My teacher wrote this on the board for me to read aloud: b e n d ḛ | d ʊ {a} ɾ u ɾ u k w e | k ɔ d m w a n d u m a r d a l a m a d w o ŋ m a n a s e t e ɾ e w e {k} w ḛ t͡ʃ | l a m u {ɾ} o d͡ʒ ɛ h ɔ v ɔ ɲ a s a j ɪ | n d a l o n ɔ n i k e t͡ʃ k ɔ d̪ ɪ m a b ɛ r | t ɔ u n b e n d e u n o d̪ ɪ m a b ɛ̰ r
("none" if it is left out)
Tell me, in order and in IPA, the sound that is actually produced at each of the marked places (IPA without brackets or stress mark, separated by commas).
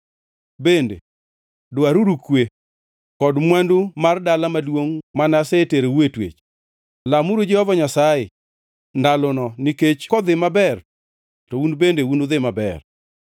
a, t, ɾ